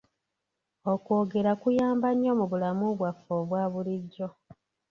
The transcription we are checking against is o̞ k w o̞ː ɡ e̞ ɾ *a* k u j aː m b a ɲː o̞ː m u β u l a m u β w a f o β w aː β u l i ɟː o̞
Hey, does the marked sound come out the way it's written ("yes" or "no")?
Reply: yes